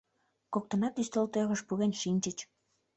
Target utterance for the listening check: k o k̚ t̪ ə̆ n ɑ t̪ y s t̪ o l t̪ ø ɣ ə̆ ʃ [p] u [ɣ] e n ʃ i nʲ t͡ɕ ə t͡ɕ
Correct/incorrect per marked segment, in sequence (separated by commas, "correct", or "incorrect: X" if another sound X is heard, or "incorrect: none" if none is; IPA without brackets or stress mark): correct, correct